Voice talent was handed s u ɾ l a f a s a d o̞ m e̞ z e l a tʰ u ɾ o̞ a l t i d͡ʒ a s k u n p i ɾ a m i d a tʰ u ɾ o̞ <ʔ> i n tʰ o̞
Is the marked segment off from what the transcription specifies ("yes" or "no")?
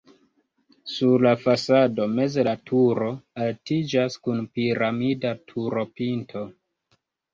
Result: yes